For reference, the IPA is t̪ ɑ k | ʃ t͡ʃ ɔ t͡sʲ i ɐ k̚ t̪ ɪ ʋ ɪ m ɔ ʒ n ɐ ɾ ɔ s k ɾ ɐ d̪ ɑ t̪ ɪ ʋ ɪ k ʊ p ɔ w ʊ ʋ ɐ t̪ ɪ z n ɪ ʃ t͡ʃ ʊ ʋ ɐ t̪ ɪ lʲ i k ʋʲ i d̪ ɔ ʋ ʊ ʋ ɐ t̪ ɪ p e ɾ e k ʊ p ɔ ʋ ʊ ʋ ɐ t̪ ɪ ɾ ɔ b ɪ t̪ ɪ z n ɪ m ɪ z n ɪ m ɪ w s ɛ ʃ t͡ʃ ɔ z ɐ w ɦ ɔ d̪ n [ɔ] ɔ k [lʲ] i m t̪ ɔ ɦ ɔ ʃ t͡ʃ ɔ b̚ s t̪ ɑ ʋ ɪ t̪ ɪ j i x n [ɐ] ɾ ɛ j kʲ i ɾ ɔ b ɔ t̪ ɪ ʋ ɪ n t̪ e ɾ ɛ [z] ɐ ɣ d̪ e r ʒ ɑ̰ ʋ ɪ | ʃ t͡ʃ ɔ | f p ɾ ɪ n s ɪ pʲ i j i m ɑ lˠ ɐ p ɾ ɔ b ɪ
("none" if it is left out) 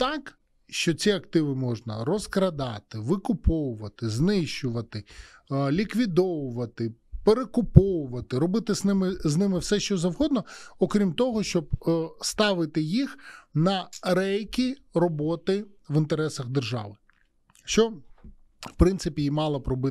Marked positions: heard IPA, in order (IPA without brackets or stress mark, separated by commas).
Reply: ɔ, ɾʲ, ɐ, s